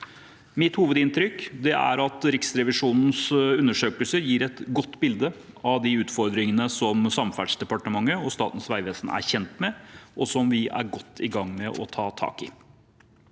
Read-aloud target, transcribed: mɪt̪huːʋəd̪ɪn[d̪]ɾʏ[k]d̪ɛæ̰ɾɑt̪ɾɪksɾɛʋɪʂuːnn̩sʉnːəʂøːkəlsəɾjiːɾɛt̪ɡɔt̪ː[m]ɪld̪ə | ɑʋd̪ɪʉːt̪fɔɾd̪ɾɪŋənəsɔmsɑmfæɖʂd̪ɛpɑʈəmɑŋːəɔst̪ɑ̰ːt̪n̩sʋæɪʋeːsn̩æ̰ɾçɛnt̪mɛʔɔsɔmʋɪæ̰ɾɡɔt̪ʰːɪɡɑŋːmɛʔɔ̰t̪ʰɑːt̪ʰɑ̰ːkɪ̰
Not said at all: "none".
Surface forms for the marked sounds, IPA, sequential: t̪, k, b

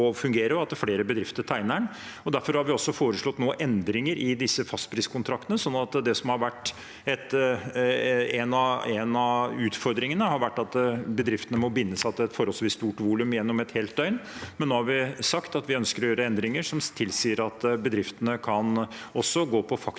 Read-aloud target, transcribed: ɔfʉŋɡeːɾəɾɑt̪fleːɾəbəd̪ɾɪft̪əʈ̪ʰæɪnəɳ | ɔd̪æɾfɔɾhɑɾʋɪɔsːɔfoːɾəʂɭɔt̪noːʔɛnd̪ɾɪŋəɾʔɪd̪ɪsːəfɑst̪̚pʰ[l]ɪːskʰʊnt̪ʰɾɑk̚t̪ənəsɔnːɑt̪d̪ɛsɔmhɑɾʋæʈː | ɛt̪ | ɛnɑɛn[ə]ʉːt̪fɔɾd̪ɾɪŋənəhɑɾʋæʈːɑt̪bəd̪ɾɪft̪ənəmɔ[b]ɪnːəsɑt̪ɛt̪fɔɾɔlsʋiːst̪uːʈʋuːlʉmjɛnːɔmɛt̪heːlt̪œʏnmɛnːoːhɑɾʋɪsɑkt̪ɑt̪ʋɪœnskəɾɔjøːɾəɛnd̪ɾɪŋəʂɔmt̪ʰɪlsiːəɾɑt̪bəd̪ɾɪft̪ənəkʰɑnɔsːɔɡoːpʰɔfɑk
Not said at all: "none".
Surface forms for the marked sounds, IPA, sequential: ɾ, ɑ, b

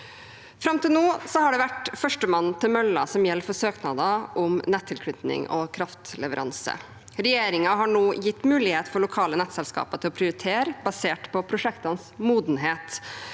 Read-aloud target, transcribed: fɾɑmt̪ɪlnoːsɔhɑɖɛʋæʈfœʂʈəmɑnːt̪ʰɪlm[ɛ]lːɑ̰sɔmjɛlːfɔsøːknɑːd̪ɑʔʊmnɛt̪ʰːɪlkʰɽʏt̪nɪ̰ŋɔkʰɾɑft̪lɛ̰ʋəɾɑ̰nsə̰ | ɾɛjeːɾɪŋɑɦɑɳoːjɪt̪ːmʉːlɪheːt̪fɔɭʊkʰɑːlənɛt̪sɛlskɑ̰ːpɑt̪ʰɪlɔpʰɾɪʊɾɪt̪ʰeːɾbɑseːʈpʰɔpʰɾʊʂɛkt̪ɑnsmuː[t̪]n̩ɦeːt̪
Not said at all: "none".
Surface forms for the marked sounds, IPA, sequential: œ, d̪

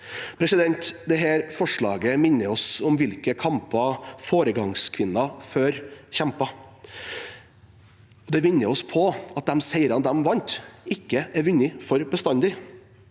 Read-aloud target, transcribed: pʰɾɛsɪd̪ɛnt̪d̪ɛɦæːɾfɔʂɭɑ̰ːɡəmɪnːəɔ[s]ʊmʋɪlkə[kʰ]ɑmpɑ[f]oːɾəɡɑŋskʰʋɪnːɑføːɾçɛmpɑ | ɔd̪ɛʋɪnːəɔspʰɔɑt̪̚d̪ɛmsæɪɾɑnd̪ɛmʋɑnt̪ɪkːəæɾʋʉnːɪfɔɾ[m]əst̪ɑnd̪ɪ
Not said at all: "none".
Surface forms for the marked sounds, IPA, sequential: s, kʰ, f, b

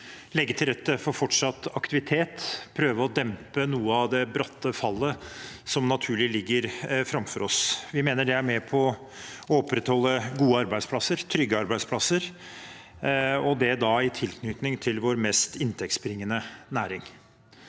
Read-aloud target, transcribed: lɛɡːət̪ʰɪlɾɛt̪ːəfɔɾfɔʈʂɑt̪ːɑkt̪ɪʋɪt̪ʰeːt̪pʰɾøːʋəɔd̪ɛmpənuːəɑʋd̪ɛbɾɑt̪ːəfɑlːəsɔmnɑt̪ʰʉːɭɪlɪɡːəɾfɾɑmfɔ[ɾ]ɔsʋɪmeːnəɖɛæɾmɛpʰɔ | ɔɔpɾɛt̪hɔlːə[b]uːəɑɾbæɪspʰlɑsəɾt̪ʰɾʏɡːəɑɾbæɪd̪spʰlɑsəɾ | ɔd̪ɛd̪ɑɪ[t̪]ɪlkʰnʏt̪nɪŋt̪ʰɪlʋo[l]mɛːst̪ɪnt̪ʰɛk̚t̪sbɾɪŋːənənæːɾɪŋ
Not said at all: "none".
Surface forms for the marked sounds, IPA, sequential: ɾ, ɡ, t̪ʰ, ɾ

